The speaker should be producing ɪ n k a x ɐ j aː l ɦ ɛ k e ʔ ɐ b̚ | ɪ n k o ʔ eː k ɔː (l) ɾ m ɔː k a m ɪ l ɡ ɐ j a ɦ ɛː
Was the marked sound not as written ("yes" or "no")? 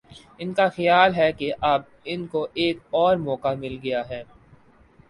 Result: yes